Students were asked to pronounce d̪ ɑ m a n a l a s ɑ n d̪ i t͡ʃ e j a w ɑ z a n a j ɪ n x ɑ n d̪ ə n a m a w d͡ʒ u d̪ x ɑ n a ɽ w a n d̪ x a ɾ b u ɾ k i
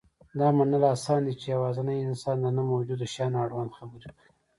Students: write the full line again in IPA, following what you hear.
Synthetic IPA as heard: d̪ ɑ m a n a l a s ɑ n d̪ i t͡ʃ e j a w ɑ z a n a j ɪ n s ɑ n d̪ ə n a m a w d͡ʒ u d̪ ʃ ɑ n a ɽ w a n d̪ x a b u ɾ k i